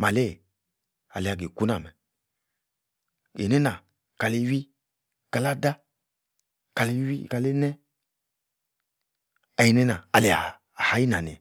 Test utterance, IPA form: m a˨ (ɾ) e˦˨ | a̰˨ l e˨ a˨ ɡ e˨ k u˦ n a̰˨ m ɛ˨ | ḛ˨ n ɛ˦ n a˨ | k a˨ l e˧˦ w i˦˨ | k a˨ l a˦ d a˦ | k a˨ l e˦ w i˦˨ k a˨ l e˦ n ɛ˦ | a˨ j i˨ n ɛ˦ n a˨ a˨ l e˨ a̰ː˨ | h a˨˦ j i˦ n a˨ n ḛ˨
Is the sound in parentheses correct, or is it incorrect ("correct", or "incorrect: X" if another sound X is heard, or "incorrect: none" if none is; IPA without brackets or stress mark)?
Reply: incorrect: l